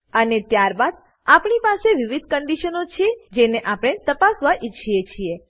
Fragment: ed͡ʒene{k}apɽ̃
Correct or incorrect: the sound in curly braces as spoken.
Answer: incorrect: ʔ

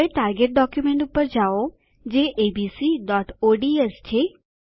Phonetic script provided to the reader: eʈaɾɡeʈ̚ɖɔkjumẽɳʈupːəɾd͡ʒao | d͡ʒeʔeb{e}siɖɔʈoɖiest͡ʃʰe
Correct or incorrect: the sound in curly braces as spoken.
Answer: incorrect: i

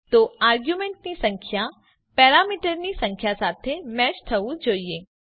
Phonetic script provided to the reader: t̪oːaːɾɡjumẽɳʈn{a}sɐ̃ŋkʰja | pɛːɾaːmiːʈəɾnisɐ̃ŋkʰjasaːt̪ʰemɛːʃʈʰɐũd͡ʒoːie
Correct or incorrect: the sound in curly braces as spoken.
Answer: incorrect: i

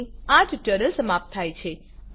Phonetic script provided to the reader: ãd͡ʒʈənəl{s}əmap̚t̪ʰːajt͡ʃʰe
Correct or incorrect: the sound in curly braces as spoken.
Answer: correct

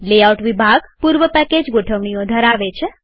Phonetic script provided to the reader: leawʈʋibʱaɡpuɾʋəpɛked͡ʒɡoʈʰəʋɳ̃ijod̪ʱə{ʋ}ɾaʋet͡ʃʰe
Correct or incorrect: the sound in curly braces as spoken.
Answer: incorrect: none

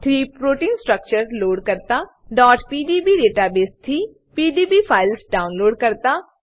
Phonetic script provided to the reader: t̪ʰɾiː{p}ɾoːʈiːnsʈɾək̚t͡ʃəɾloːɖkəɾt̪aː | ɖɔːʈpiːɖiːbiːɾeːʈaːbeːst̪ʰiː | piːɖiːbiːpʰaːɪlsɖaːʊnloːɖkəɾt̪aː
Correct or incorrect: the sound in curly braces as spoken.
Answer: correct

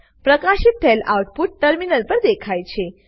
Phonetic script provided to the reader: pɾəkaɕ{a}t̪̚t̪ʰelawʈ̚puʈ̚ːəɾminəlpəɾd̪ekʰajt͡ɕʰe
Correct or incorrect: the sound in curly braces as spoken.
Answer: incorrect: i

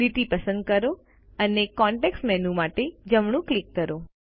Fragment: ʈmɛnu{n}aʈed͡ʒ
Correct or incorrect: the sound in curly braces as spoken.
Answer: incorrect: m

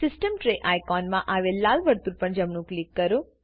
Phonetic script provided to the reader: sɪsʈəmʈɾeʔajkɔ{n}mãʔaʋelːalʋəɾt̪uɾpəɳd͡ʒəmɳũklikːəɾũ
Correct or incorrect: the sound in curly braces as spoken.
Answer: correct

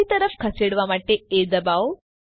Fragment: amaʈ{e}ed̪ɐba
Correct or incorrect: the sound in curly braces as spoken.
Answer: correct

